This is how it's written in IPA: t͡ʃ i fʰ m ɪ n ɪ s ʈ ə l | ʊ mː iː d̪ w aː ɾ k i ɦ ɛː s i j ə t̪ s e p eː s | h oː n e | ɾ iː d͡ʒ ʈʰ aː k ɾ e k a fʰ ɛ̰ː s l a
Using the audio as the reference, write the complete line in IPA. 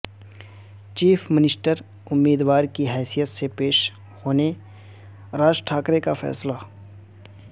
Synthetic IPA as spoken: t͡ʃ iː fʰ m ɪ n ɪ s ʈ ə ɾ | ʊ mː iː d̪ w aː ɾ k i ɦ ɛː s i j ə t̪ s e p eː ʃ | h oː n e | ɾ aː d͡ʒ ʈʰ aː k ɾ e k a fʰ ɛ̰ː s l a